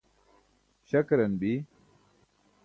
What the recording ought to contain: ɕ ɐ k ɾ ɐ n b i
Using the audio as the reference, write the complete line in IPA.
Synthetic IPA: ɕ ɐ k ɾ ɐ n b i